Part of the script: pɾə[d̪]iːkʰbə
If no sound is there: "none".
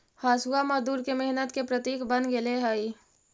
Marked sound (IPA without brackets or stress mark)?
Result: t̪